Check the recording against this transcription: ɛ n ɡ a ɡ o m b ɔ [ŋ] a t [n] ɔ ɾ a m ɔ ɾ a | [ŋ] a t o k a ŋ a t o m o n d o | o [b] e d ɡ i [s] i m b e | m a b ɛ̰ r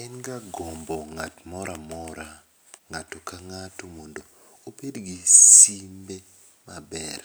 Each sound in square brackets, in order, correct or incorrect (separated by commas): correct, incorrect, correct, incorrect, correct